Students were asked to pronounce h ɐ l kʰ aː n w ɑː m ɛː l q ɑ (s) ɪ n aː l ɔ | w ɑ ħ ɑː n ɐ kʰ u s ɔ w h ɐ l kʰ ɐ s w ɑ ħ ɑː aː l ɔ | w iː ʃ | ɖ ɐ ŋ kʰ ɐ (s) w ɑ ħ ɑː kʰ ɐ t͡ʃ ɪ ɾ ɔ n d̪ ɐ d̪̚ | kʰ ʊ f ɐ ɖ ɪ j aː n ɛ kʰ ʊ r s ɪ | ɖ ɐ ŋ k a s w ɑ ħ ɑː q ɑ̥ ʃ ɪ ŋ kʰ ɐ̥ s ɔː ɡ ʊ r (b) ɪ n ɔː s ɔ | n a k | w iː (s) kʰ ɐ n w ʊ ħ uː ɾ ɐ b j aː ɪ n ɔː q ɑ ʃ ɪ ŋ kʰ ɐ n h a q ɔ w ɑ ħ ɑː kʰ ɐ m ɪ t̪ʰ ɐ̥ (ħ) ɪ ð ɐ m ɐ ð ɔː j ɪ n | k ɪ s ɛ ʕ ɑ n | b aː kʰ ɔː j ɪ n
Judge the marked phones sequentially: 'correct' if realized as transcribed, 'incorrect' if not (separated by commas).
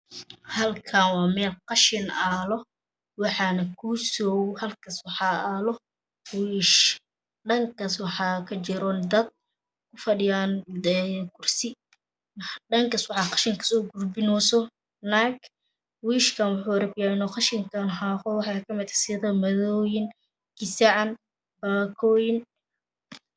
incorrect, correct, correct, incorrect, incorrect